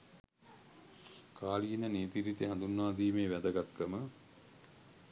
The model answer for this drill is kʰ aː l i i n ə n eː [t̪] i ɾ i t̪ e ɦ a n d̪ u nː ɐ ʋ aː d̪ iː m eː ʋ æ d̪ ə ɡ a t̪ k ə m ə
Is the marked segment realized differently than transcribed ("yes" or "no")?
no